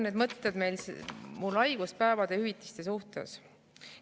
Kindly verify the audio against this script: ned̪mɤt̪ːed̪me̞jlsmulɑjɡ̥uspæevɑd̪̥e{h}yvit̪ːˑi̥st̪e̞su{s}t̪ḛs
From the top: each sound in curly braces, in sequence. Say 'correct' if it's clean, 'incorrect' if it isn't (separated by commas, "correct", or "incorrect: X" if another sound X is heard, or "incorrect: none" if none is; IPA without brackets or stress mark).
correct, incorrect: h